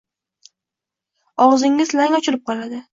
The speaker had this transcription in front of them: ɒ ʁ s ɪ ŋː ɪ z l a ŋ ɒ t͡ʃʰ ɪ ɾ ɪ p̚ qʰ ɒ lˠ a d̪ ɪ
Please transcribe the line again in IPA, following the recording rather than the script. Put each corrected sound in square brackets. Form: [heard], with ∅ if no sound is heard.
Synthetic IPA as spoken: ɒ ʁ [z] ɪ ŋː ɪ z l a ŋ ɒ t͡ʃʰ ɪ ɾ ɪ p̚ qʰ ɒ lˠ a d̪ ɪ